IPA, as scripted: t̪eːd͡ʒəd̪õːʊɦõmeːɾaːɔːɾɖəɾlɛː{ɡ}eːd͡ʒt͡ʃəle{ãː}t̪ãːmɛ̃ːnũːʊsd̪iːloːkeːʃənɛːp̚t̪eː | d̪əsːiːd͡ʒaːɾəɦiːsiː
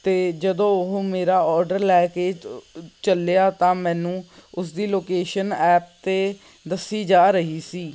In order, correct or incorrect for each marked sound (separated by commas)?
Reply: incorrect, incorrect